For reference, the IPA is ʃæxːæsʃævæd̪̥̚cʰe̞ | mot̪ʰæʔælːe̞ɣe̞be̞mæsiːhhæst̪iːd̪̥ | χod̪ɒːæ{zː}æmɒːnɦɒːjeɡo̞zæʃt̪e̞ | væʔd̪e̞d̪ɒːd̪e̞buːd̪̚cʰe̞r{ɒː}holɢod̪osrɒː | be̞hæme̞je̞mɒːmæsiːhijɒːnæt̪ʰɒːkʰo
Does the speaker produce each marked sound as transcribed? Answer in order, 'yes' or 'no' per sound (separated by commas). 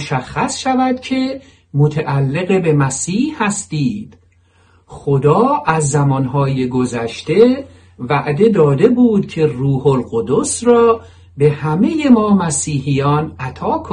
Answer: yes, no